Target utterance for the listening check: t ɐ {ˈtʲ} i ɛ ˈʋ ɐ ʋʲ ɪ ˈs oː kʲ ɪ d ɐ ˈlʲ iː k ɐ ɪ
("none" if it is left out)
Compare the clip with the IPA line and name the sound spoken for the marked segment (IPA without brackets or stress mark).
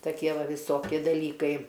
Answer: kʲ